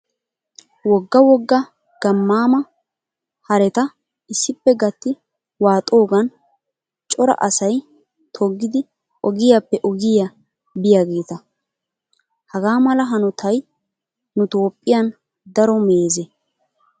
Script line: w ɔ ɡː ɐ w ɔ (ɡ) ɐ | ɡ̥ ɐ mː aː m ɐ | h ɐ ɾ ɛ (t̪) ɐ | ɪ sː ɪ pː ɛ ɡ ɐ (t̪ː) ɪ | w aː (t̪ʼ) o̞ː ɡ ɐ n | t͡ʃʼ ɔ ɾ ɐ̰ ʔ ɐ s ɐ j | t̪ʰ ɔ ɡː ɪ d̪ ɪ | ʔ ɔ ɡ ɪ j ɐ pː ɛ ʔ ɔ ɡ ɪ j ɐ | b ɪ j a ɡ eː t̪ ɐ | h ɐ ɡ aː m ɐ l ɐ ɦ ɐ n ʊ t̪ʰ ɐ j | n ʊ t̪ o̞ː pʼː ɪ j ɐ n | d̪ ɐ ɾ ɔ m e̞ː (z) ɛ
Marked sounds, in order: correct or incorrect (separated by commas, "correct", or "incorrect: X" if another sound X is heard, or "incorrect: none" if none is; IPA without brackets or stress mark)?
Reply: incorrect: ɡː, correct, correct, correct, correct